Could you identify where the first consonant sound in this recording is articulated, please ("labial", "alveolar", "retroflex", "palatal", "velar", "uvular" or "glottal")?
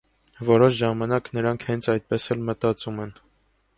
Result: labial